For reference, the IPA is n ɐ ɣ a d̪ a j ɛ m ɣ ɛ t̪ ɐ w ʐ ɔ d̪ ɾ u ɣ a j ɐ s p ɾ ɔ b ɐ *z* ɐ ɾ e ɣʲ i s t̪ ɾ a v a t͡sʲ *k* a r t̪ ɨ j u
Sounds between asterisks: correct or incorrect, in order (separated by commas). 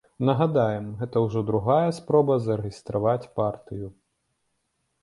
correct, incorrect